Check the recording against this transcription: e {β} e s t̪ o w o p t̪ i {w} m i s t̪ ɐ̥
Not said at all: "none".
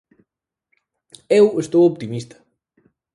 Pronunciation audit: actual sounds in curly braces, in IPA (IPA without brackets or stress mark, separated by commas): w, none